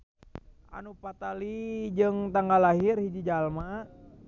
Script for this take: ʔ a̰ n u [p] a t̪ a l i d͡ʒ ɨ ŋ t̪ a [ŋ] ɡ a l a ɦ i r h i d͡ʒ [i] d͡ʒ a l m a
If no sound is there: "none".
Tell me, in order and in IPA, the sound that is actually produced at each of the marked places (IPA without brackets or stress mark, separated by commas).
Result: p, ŋ, i